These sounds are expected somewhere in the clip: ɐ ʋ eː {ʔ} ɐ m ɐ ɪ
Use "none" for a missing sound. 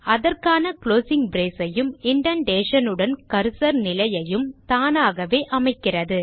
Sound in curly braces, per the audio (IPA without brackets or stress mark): ʔ